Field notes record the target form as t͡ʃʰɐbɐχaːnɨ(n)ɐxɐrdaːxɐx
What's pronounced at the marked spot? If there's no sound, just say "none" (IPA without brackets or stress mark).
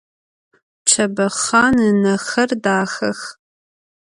n